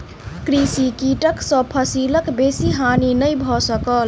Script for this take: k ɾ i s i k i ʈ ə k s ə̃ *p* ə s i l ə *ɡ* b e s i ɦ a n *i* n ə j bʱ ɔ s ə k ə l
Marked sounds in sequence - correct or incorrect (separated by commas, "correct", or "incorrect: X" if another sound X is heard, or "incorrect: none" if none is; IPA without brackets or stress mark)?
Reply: incorrect: pʰ, incorrect: k, correct